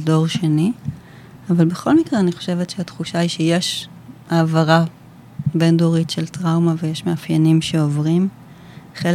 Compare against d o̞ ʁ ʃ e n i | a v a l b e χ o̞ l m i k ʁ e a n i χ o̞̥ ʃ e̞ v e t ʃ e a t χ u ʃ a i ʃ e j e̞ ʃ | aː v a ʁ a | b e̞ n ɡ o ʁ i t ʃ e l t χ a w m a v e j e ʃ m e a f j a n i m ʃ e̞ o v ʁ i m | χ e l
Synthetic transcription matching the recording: d o̞ ʁ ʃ e n i | a v a l b e χ o̞ l m i k ʁ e a n i χ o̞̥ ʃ e̞ v e t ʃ e a t χ u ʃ a i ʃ e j e̞ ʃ | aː v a ʁ a | b e̞ n d o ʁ i t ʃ e l t ʁ a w m a v e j e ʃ m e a f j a n i m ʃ e̞ o v ʁ i m | χ e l